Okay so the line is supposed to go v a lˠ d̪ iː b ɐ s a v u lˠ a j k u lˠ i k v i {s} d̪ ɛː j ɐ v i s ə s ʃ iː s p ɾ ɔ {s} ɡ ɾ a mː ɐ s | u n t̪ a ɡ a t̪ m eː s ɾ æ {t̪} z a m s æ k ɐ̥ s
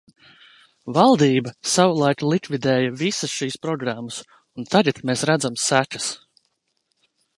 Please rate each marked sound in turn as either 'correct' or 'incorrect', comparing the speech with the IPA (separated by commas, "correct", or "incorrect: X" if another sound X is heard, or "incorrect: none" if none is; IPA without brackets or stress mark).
incorrect: none, incorrect: none, incorrect: d̪